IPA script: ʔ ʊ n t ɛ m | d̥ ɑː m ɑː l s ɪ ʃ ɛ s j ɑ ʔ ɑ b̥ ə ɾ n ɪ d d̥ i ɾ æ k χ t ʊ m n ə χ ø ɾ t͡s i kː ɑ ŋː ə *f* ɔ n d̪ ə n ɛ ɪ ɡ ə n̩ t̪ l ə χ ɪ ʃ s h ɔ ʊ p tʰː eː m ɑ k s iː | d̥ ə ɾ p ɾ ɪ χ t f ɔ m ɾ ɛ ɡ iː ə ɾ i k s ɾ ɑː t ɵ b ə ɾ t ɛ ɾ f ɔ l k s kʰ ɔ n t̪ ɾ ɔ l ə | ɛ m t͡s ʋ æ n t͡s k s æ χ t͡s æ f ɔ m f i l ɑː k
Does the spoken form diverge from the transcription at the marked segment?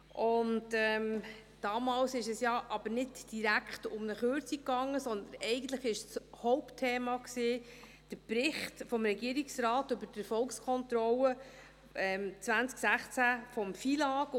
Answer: yes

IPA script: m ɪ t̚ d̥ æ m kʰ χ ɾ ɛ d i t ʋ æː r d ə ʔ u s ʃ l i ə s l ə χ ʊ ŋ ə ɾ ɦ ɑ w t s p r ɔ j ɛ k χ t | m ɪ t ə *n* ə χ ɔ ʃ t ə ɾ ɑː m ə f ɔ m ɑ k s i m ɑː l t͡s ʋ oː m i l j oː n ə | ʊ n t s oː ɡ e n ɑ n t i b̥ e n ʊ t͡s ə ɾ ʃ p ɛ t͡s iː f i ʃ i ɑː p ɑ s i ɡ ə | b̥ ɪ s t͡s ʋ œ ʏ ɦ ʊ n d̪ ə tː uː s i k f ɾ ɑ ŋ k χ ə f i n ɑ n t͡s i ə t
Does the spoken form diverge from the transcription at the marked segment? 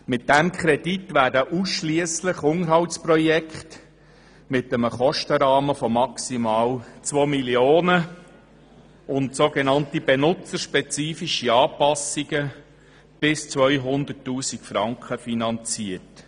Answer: yes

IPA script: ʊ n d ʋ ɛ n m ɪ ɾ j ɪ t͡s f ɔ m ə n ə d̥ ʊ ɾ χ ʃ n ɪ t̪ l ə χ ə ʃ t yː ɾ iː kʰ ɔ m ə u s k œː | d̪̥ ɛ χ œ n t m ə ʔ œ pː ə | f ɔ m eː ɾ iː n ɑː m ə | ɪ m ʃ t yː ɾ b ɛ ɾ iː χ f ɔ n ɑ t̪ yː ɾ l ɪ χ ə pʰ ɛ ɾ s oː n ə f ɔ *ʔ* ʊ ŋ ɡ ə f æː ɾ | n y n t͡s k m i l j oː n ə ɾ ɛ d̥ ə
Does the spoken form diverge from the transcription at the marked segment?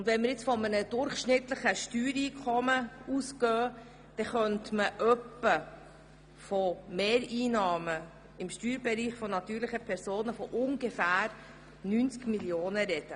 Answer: no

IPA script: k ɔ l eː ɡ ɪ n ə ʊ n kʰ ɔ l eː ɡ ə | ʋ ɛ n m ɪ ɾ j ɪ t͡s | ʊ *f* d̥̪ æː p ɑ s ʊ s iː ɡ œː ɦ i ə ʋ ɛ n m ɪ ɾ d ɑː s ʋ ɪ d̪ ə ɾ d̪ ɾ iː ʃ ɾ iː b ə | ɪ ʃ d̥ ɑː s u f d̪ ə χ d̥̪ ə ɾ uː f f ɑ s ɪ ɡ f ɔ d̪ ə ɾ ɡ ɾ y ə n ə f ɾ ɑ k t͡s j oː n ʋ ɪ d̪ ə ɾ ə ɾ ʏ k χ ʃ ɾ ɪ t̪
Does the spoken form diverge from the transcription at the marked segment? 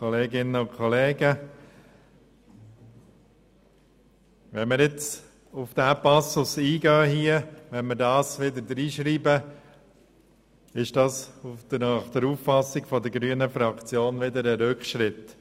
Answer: no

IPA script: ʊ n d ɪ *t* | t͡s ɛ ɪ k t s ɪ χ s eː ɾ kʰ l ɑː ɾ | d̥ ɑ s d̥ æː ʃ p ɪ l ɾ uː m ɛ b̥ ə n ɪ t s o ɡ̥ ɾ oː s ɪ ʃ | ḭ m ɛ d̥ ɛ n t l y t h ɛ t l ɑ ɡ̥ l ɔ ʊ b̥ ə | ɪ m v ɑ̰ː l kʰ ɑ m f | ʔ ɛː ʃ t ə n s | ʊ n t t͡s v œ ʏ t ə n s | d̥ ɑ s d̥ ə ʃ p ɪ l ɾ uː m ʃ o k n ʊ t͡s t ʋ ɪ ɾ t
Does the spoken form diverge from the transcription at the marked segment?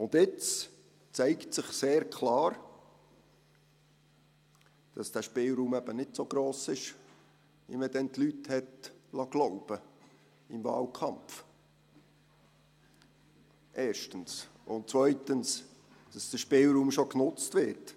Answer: yes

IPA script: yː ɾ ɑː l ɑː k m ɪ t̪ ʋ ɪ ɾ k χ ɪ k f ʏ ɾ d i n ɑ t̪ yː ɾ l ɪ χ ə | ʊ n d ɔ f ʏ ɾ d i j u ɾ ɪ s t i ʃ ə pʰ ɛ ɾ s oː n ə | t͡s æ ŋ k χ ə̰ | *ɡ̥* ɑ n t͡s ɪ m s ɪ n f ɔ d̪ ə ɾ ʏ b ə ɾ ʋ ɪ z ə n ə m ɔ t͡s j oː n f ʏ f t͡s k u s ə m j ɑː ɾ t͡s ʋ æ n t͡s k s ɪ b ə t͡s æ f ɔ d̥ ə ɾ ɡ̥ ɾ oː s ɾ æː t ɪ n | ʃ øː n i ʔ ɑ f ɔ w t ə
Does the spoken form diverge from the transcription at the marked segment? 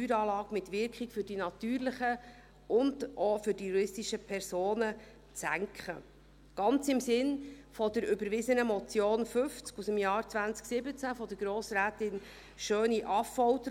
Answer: no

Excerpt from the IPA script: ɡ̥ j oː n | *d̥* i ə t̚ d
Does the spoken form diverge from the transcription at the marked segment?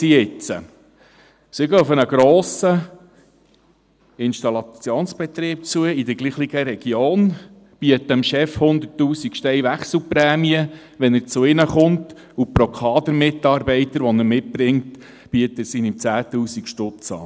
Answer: yes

